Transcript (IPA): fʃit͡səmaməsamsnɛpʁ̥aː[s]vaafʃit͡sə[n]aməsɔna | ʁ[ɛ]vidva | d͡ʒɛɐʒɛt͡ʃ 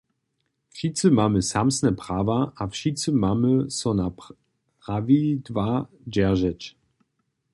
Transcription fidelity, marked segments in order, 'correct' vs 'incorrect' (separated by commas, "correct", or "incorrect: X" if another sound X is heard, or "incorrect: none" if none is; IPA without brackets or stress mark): incorrect: none, incorrect: m, incorrect: a